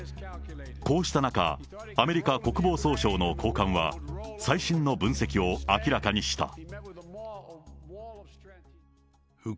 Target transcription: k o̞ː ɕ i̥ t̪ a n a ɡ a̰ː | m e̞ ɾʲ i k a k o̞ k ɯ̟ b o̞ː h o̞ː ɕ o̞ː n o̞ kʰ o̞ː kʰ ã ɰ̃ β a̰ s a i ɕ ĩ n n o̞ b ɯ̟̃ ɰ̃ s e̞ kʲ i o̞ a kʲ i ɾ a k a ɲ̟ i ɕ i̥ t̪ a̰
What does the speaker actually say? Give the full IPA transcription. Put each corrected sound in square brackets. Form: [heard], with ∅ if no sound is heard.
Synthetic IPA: k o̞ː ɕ i̥ t̪ a n a [k] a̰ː | m e̞ ɾʲ i k a k o̞ k ɯ̟ b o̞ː [s] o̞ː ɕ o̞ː n o̞ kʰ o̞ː [k] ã ɰ̃ β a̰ s a i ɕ ĩ n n o̞ b ɯ̟̃ ɰ̃ s e̞ kʲ i o̞ a kʲ i ɾ a k a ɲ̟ i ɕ i̥ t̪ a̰